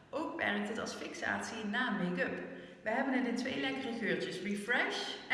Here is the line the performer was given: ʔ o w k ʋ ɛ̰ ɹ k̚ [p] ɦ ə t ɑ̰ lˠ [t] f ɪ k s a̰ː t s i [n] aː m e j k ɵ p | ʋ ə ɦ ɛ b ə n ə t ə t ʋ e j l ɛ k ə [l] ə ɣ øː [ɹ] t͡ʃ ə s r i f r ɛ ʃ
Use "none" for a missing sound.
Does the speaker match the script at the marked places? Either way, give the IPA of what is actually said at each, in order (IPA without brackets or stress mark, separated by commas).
t, s, n, r, ɹ